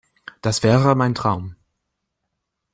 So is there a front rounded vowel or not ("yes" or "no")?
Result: no